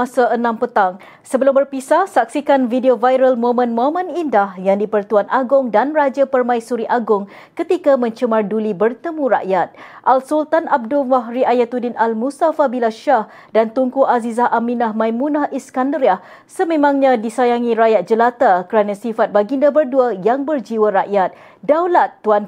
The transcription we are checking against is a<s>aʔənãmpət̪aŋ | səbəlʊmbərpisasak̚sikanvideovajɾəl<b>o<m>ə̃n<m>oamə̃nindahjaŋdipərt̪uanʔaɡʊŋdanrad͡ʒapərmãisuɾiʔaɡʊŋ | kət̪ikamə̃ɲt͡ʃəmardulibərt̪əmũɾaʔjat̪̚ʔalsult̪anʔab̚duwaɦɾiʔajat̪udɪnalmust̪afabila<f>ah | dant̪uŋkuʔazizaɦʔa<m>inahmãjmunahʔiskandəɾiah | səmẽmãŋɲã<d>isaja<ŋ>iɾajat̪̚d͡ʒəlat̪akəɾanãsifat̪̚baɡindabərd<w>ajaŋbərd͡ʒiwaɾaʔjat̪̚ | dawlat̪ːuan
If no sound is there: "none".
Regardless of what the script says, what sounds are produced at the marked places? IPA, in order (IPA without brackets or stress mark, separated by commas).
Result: s, m, m, m, ʃ, m, d, ŋ, u